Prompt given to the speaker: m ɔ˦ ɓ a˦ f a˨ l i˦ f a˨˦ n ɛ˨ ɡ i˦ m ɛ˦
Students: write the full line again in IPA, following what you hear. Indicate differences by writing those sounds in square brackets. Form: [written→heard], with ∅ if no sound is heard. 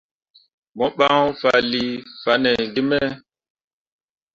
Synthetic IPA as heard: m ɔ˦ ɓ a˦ f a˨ l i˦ f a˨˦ n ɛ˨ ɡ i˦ m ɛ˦

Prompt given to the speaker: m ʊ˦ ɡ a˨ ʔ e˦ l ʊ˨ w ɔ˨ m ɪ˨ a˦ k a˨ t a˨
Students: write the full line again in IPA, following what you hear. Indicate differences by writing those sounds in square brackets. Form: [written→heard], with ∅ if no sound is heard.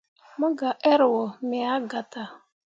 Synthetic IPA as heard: m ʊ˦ ɡ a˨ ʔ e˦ [l→ɾ] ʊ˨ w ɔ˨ m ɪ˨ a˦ [k→ɡ] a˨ t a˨

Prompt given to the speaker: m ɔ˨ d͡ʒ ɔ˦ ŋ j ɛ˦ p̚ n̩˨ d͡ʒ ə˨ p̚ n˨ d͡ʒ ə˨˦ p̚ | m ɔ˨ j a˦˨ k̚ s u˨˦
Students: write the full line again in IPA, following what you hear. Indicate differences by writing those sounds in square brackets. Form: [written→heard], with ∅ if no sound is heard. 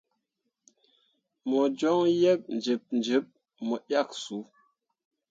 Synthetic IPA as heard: m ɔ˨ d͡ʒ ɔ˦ ŋ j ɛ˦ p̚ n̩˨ d͡ʒ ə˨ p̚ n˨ d͡ʒ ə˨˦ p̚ | m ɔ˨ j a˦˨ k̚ s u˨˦

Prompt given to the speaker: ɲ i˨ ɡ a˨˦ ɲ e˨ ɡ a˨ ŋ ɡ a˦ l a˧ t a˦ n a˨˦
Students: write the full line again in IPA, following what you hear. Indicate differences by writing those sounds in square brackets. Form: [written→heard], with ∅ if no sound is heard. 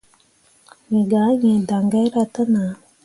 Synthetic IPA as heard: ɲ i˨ ɡ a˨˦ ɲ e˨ [ɡ→d] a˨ ŋ ɡ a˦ [l→ɾ] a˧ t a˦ n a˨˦

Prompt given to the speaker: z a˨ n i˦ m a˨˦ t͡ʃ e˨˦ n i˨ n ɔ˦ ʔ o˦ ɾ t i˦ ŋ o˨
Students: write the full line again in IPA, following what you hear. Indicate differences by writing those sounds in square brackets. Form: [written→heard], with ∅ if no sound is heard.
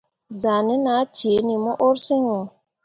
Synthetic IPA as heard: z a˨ n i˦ [m→n] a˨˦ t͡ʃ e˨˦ n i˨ [n→m] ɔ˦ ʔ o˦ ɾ [t→s] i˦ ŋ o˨

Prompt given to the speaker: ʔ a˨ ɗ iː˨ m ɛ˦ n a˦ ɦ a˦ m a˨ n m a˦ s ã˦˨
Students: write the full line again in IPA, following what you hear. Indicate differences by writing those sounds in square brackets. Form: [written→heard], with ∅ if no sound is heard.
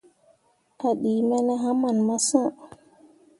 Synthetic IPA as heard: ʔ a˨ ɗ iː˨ m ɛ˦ n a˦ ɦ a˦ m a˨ n m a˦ s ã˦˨

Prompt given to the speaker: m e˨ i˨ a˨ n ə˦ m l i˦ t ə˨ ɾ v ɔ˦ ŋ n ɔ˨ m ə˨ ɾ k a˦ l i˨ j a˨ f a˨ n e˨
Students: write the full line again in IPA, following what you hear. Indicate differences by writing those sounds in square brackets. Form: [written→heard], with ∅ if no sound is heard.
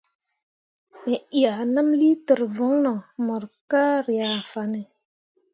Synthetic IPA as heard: m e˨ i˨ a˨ n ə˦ m l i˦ t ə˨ ɾ v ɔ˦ ŋ n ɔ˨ m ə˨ ɾ k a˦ [l→ɾ] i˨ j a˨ f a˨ n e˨

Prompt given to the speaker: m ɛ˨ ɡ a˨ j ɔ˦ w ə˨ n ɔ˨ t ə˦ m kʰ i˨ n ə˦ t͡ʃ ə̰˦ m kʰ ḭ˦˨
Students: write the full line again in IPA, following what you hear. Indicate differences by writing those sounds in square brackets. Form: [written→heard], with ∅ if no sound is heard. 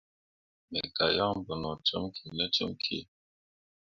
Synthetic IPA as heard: m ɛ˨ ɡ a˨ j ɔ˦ [w→b] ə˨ n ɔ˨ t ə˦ m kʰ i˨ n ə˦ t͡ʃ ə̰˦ m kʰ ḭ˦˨

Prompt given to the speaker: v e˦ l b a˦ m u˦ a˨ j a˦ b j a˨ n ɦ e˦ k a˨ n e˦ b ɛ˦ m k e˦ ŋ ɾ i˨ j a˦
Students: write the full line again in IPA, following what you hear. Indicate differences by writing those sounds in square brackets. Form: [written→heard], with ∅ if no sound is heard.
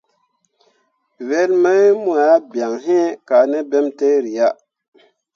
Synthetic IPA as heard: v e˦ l [b→m] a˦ m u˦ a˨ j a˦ b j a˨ [n→ŋ] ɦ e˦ k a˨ n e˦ b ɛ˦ m [k→t] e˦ [ŋ→∅] ɾ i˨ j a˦

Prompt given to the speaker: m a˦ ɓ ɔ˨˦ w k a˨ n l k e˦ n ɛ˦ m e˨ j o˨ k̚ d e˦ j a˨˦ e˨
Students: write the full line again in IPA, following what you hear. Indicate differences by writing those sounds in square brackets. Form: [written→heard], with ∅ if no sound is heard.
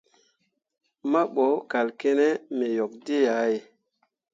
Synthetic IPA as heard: m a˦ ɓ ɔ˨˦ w k a˨ [n→∅] l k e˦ n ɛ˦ m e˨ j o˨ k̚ d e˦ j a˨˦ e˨

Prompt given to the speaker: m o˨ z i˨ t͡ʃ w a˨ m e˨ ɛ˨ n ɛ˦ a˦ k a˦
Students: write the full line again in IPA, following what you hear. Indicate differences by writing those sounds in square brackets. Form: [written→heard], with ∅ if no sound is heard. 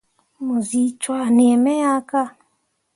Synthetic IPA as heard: m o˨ z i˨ t͡ʃ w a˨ [m→n] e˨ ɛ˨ [n→m] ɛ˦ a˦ k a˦

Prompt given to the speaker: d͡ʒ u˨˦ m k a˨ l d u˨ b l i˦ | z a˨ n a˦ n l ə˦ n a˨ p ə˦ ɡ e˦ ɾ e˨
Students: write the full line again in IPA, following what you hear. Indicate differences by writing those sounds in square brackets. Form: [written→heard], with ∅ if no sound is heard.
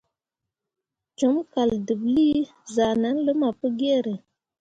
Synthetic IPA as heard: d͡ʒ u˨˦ m k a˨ l d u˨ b l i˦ | z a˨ n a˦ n l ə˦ [n→m] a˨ p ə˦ ɡ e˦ ɾ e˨

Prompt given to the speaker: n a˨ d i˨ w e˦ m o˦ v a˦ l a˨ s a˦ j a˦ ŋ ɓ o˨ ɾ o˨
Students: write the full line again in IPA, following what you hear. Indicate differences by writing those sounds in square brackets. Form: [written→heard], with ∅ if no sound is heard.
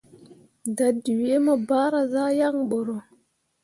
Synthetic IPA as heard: [n→d] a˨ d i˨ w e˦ m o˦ [v→b] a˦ [l→ɾ] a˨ [s→z] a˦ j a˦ ŋ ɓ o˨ ɾ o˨

